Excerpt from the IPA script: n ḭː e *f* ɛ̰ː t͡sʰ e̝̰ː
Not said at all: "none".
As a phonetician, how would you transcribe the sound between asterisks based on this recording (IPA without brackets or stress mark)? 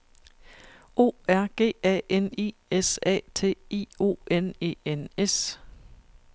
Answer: s